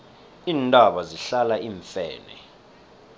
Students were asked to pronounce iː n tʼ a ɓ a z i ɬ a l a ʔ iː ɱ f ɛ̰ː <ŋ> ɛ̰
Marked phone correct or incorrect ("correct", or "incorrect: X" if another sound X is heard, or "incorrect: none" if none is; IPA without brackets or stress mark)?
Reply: incorrect: n